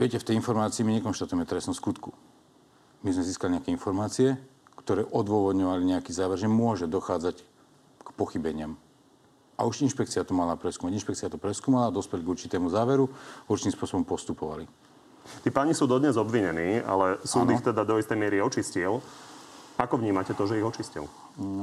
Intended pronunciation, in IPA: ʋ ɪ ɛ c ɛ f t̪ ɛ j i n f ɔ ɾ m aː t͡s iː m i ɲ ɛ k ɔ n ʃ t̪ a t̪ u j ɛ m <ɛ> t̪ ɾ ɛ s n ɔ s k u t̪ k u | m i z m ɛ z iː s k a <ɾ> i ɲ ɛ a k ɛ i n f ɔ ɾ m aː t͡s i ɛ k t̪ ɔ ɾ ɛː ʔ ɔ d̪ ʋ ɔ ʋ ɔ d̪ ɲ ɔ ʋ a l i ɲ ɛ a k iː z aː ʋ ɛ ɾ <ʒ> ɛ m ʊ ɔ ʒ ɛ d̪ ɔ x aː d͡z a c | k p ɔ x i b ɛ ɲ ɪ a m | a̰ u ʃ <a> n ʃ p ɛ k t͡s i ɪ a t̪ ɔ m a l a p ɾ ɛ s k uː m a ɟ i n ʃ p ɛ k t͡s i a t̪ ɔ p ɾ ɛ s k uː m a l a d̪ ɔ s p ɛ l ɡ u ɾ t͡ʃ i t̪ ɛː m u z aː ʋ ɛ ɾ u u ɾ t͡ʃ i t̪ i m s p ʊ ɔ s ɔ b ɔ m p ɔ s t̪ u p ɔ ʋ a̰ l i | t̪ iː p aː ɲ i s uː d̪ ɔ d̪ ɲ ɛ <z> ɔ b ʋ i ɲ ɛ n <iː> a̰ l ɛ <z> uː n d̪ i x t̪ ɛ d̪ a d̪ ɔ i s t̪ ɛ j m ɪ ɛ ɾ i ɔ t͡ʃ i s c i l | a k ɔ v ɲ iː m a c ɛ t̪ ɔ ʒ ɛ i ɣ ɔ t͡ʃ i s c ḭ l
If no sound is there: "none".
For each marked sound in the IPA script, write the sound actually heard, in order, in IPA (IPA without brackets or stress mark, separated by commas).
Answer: ɛ, l, ʒ, i, z, iː, s